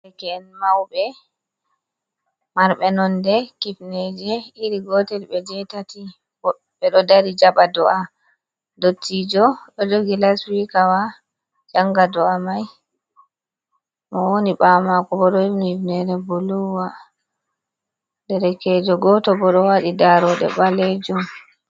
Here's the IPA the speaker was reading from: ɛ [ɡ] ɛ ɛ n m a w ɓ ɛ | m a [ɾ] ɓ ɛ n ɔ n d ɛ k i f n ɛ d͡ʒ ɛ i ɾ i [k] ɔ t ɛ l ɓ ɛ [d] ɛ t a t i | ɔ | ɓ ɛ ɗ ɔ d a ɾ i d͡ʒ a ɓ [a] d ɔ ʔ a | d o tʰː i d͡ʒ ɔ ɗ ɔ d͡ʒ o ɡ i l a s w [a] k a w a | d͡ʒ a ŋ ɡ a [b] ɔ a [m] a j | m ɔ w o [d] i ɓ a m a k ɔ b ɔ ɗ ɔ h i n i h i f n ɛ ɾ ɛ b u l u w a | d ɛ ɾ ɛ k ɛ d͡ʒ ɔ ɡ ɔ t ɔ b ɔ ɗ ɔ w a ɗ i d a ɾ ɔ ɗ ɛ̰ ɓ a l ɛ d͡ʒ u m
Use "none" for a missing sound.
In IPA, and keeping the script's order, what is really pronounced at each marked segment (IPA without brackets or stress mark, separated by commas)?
k, ɾ, ɡ, d͡ʒ, a, i, d, m, n